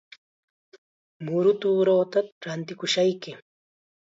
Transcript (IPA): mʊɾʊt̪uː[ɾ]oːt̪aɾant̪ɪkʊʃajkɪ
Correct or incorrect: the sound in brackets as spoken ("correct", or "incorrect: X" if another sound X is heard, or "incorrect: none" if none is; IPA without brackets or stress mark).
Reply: correct